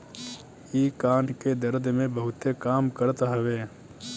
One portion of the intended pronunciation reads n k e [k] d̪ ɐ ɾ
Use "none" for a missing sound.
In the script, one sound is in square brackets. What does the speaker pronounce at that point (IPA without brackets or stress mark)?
none